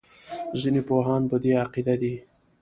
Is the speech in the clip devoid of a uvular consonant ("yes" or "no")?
no